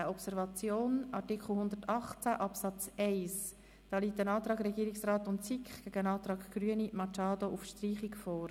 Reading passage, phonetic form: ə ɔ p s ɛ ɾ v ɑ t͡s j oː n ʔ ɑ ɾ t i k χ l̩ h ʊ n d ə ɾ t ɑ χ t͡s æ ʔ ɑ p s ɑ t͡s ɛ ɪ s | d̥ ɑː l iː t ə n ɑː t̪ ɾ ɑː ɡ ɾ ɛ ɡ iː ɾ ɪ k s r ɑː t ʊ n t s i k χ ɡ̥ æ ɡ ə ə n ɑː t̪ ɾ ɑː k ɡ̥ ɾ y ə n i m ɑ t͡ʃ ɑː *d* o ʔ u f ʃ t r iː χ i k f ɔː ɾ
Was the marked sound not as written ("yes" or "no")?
no